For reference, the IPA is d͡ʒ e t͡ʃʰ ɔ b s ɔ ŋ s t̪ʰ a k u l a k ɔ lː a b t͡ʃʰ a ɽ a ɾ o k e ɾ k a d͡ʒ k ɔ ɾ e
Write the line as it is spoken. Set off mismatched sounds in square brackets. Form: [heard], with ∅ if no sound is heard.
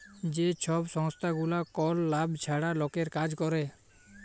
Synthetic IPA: d͡ʒ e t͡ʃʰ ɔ b s ɔ ŋ s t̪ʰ a [ɡ] u l a k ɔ lː a b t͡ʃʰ a ɽ a [l] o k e ɾ k a d͡ʒ k ɔ ɾ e